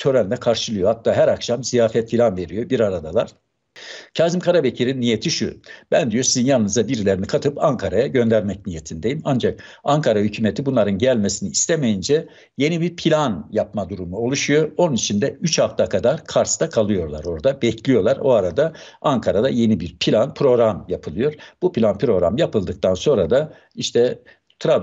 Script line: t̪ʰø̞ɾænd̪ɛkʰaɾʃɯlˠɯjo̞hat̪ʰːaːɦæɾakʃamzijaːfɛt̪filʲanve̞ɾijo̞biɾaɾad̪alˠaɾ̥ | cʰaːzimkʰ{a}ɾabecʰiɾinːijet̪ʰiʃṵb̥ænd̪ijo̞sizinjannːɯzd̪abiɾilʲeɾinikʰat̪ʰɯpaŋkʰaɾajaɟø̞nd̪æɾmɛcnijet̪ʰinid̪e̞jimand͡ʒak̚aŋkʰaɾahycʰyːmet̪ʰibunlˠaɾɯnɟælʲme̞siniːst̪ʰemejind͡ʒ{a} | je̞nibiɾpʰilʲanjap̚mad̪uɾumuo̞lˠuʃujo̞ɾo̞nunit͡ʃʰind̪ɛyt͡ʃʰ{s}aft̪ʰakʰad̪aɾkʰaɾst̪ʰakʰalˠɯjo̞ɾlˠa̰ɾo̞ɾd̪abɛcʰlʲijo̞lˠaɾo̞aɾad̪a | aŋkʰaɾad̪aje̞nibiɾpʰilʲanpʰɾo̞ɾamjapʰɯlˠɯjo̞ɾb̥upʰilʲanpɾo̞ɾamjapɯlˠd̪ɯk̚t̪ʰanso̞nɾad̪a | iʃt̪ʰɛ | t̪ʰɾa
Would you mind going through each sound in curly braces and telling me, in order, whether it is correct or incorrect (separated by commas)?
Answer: correct, incorrect, incorrect